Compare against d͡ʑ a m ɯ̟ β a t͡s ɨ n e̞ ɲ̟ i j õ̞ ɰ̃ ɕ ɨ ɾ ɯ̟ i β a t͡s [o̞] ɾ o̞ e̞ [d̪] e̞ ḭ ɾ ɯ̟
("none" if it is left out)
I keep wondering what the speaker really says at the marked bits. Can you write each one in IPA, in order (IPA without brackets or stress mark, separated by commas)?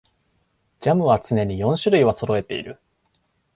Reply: o̞, t̪